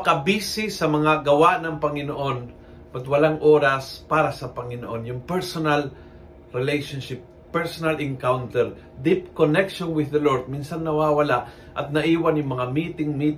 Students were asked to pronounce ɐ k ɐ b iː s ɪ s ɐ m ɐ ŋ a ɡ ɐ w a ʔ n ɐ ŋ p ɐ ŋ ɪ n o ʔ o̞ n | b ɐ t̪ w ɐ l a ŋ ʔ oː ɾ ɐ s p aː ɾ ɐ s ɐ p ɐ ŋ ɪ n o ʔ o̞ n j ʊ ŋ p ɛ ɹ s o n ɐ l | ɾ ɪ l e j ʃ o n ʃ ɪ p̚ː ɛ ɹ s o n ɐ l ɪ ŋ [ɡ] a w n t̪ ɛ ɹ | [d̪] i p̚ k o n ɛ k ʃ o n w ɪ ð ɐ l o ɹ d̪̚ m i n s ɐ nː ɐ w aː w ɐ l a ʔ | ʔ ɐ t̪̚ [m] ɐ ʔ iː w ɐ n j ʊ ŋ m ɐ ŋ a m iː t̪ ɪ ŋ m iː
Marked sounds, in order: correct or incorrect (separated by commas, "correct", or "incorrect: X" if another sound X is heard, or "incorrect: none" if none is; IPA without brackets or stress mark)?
incorrect: k, correct, incorrect: n